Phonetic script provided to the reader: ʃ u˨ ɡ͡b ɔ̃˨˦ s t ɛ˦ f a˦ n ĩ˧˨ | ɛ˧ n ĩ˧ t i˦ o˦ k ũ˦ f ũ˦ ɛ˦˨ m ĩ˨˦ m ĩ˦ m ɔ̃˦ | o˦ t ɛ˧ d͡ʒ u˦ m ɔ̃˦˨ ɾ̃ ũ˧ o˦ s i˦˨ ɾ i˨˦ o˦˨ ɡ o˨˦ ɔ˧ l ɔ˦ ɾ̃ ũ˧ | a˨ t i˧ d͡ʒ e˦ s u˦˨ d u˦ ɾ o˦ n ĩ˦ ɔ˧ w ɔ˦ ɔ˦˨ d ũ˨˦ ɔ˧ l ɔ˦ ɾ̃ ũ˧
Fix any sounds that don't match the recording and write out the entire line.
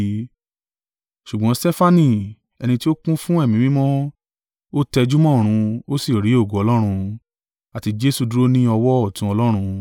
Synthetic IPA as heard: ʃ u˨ ɡ͡b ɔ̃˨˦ s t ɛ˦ f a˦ n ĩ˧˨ | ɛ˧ n ĩ˧ t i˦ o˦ k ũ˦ f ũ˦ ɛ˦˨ m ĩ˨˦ m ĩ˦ m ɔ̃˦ | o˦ t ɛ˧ d͡ʒ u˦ m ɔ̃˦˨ ɾ̃ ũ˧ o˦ s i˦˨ ɾ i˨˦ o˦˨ ɡ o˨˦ ɔ˧ l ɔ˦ ɾ̃ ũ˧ | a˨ t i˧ d͡ʒ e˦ s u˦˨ d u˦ ɾ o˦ n ĩ˦ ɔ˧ w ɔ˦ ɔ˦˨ t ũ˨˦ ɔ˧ l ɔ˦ ɾ̃ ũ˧